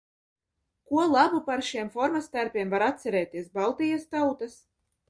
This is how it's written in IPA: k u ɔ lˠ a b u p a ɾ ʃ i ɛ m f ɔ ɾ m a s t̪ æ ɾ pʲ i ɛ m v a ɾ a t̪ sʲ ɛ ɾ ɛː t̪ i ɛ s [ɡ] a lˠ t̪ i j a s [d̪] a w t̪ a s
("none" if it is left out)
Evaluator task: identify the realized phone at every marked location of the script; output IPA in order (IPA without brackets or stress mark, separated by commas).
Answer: b, t̪